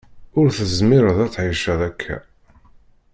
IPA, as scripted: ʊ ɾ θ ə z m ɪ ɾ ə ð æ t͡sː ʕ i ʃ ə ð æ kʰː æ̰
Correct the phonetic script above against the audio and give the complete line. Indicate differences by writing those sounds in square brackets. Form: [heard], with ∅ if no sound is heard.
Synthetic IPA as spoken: ʊ ɾ θ ə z m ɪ ɾ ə ð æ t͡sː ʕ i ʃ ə ð æ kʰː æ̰